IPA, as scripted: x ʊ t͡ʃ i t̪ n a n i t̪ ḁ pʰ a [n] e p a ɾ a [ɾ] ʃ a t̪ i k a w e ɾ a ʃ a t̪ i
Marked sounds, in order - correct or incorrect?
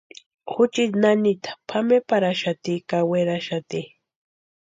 incorrect: m, incorrect: none

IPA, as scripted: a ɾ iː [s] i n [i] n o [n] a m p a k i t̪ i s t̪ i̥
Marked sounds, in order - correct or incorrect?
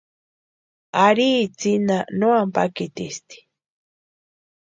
incorrect: t͡s, incorrect: a, incorrect: none

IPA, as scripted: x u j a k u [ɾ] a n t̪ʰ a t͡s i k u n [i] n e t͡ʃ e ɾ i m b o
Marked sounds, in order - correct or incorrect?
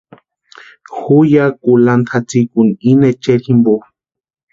incorrect: l, correct

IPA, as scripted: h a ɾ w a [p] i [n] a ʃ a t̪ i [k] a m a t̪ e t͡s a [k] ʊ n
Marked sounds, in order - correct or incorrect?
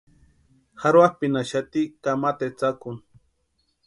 correct, correct, correct, correct

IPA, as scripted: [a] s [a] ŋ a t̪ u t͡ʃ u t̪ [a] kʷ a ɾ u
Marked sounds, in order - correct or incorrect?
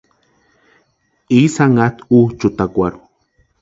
incorrect: i, correct, correct

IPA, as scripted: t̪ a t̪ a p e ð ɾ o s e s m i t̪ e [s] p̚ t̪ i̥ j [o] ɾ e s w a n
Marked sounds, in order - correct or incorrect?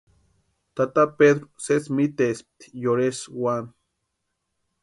correct, correct

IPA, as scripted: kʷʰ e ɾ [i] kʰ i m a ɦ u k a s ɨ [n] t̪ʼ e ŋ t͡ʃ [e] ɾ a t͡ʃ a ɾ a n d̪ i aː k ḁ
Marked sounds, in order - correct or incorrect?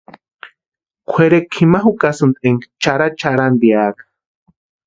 incorrect: e, correct, incorrect: a

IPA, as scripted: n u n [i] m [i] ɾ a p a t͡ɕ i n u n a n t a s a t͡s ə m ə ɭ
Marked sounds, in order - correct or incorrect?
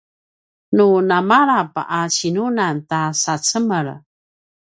incorrect: a, incorrect: a

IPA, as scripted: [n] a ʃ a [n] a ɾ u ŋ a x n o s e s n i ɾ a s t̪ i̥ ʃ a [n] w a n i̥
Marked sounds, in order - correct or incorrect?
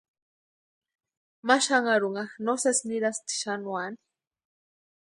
incorrect: m, incorrect: ŋ, correct

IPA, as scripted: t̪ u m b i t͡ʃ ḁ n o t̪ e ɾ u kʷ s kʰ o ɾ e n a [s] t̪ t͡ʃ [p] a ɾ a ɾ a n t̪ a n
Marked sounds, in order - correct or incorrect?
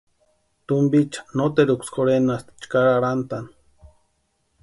correct, incorrect: k

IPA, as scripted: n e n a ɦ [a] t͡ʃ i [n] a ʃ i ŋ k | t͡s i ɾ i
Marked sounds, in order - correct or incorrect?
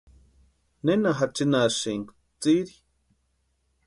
correct, correct

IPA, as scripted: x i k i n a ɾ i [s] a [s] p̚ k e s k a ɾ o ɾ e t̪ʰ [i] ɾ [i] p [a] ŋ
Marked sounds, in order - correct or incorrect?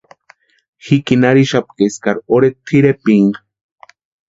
incorrect: ʃ, incorrect: none, correct, incorrect: e, incorrect: i

